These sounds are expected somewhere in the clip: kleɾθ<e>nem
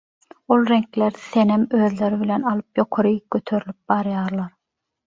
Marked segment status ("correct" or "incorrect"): correct